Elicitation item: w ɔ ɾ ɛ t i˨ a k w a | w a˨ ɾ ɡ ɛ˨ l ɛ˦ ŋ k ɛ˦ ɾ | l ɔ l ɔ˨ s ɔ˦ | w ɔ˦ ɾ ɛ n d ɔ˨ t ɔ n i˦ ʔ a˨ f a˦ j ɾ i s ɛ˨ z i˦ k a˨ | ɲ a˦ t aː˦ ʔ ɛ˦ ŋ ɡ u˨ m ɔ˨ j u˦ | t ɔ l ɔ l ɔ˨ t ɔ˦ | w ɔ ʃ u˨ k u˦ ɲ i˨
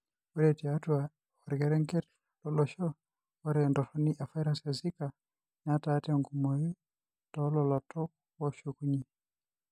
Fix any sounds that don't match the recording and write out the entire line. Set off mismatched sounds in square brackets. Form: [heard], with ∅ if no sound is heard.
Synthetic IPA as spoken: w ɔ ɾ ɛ t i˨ a [t] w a | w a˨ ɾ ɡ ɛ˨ [ɾ] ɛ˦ ŋ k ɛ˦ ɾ | l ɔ l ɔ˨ [ʃ] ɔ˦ | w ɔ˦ ɾ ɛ n d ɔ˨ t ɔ n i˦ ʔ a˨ f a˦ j ɾ [a] s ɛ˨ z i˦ k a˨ | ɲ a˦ t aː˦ [t] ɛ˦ ŋ ɡ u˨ m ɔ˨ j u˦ | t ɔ l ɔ l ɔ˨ t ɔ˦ | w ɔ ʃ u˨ k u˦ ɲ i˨